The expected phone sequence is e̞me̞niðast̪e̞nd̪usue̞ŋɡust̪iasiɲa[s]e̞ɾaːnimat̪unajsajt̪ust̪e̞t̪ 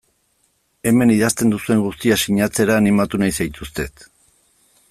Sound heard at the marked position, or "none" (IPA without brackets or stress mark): t͡s